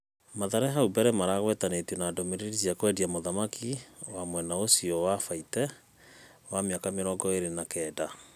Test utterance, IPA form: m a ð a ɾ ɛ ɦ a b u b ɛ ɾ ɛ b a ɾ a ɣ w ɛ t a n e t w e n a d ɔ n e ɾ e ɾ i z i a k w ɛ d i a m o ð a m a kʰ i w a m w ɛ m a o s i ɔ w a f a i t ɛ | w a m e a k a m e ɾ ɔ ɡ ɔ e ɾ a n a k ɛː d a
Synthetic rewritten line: m a ð a ɾ ɛ ɦ a u b ɛ ɾ ɛ m a ɾ a ɣ w ɛ t a n e t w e n a d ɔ m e ɾ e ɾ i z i a k w ɛ d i a m o ð a m a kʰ i w a m w ɛ n a o s i ɔ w a f a i t ɛ | w a m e a k a m e ɾ ɔ ɡ ɔ e ɾ e n a k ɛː d a

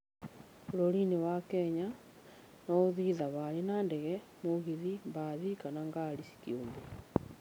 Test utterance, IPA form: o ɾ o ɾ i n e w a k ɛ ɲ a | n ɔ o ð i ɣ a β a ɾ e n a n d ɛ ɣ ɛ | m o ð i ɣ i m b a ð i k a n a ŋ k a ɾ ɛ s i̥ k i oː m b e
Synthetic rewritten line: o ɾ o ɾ i n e w a k ɛ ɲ a | n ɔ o ð i ð a β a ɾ e n a n d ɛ ɣ ɛ | m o ɣ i ð i m b a ð i k a n a ŋ ɡ a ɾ i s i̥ k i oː m b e

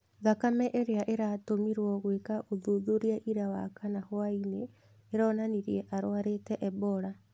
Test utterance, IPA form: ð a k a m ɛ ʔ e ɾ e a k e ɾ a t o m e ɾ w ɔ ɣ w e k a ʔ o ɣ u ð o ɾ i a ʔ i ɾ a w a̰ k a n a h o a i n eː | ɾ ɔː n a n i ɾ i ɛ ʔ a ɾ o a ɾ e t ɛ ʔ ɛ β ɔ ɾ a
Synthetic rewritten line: ð a k a m ɛ ʔ e ɾ e a ʔ e ɾ a t o m i ɾ w ɔ ɣ w e k a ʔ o ð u ð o ɾ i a ʔ i ɾ a w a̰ k a n a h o a i n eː | ɾ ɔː n a n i ɾ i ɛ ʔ a ɾ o a ɾ e t ɛ ʔ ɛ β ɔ ɾ a

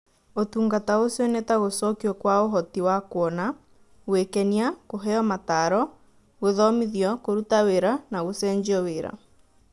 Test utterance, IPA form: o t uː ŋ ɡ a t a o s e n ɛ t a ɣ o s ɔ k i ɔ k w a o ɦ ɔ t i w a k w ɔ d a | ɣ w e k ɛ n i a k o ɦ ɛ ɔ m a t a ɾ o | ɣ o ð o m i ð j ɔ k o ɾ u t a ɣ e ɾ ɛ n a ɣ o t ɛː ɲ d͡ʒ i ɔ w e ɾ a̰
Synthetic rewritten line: o t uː ŋ ɡ a t a o s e n ɛ t a ɣ o s ɔ k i ɔ k w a o ɦ ɔ t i w a k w ɔ n a | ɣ w e k ɛ n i a k o ɦ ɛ ɔ m a t a ɾ ɔ | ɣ o ð ɔ m i ð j ɔ k o ɾ u t a w e ɾ a n a ɣ o s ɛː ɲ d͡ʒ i ɔ w e ɾ a̰

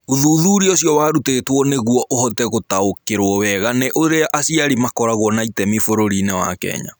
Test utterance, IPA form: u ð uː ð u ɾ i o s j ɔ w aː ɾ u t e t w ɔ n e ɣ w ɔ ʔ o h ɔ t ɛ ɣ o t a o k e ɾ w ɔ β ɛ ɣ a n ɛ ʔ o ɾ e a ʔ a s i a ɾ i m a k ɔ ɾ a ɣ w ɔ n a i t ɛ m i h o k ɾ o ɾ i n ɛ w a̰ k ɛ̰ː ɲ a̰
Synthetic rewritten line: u ð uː ð u ɾ i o s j ɔ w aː ɾ u t e t w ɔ n e ɣ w ɔ ʔ o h ɔ t ɛ ɣ o t a o k e ɾ w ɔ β ɛ ɣ a n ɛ ʔ o ɾ e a ʔ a s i a ɾ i m a k ɔ ɾ a ɣ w ɔ n a i t ɛ m i f o ɾ o ɾ i n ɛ w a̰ k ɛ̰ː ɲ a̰

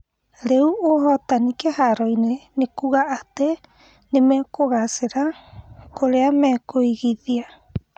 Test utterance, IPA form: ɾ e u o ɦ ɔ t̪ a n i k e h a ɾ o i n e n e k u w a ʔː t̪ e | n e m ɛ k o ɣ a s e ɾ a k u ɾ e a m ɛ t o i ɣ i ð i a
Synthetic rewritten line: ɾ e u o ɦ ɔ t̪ a n i k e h a ɾ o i n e n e k u ɣ a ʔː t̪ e | n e m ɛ k o ɣ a s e ɾ a k o ɾ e a m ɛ k o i ɣ i ð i a

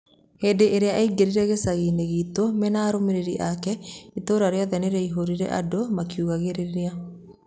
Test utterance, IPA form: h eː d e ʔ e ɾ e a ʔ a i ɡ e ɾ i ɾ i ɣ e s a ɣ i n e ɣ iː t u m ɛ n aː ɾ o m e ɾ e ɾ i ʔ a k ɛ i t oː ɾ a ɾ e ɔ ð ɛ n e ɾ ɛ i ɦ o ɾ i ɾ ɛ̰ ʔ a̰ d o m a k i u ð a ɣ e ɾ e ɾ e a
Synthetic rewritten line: h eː d e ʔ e ɾ e a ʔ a i ɡ e ɾ i ɾ ɛ ɣ e s a ɣ i n e ɣ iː t o m ɛ n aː ɾ o m e ɾ e ɾ i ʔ a k ɛ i t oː ɾ a ɾ e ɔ ð ɛ n e ɾ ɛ i ɦ o ɾ i ɾ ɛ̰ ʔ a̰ d o m a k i u ɣ a ɣ e ɾ e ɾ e a

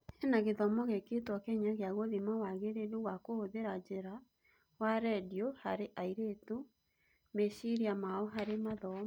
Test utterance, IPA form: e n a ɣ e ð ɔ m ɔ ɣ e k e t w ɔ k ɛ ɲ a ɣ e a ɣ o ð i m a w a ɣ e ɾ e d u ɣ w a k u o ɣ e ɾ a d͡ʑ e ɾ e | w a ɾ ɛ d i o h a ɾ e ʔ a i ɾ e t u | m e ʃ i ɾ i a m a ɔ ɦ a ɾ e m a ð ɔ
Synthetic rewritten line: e n a ɣ e ð ɔ m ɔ ɣ e k e t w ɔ k ɛ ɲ a ɣ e a ɣ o ð i m a w a ɣ e ɾ e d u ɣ w a k o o ð e ɾ a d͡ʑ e ɾ a | w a ɾ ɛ d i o h a ɾ e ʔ a i ɾ e t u | m e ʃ i ɾ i a m a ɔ ɦ a ɾ e m a ð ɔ

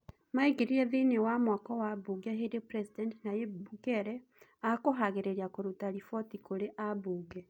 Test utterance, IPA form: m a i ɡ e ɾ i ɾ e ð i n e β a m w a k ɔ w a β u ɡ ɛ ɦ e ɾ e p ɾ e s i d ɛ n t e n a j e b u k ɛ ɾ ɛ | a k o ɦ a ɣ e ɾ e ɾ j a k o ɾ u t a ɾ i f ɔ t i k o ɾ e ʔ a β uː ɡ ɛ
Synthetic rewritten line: m a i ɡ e ɾ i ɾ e ð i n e w a m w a k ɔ w a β u ɡ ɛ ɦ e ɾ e p ɾ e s i d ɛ n t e n a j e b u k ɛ ɾ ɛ | a k o ɦ a ɣ e ɾ e ɾ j a k o ɾ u t a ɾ i f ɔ t i k o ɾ e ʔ a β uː ɡ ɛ

